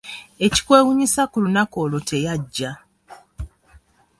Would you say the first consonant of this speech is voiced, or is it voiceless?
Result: voiceless